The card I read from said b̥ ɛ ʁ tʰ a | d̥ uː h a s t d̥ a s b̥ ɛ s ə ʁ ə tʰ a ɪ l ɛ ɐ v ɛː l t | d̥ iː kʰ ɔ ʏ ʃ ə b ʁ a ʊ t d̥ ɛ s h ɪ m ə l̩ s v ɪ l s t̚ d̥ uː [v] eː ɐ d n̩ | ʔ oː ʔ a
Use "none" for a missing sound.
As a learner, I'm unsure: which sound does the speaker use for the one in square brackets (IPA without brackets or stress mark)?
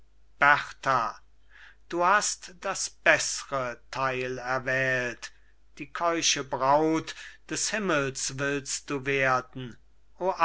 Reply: v